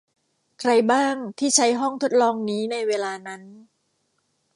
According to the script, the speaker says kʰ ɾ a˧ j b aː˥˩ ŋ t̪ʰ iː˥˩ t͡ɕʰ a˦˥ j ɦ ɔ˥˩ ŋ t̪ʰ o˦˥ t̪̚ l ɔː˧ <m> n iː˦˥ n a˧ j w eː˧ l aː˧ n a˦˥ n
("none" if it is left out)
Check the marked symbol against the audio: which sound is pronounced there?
ŋ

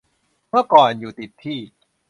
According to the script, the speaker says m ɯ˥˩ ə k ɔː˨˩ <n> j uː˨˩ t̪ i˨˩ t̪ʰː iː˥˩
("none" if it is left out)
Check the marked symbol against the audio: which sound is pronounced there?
n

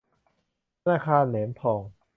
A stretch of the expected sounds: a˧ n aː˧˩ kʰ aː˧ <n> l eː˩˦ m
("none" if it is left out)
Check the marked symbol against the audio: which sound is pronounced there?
n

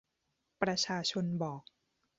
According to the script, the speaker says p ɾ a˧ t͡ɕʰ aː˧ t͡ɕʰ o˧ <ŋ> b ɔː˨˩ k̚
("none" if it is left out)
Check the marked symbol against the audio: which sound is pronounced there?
n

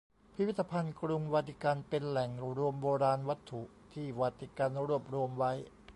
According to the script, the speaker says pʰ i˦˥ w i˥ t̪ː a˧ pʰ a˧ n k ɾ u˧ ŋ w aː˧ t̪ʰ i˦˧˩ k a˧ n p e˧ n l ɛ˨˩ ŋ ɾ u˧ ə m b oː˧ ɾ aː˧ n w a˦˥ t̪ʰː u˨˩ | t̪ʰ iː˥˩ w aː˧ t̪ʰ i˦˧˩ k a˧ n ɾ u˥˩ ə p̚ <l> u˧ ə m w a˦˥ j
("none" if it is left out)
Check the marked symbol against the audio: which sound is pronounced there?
ɾ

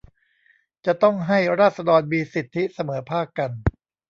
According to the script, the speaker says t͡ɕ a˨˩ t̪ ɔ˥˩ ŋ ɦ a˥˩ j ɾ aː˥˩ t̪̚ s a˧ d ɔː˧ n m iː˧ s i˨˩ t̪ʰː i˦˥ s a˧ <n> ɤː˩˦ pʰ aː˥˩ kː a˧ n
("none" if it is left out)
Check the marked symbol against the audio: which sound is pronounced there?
m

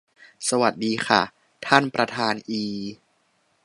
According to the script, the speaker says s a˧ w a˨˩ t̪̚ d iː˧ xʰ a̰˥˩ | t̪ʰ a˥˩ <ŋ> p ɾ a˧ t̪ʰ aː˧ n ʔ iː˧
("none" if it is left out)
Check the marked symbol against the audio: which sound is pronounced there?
n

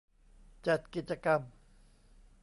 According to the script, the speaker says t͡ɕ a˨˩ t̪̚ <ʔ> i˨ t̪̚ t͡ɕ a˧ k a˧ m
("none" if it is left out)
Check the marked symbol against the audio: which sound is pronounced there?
k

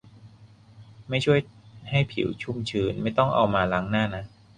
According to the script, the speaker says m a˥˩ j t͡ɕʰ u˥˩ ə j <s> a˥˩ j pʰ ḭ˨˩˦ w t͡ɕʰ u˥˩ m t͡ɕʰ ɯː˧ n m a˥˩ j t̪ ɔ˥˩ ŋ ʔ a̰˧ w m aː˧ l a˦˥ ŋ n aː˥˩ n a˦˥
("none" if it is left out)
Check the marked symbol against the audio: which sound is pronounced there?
h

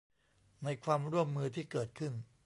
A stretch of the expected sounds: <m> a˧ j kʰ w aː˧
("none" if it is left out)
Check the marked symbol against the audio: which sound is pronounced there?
n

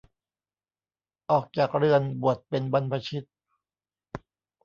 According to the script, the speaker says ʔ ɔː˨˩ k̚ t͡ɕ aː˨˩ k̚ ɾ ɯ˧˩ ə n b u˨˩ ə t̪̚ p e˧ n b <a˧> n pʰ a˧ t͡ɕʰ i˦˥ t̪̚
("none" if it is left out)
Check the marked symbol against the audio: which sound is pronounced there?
a˧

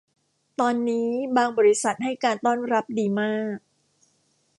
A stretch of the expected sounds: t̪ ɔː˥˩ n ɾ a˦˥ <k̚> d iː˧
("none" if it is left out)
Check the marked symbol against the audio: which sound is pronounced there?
p̚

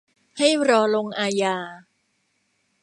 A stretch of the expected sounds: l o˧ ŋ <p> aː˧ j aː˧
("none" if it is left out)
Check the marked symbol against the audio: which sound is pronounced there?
ʔ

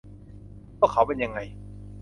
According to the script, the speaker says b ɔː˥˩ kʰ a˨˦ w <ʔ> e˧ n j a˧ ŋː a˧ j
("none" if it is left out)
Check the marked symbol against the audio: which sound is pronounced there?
p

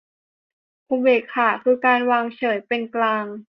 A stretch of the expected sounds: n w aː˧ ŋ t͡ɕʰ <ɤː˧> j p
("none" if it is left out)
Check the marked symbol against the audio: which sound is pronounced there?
ɤː˩˦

